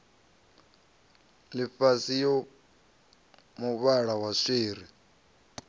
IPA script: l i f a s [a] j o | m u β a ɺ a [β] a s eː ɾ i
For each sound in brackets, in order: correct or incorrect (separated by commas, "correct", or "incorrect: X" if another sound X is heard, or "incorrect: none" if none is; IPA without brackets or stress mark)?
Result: incorrect: i, incorrect: w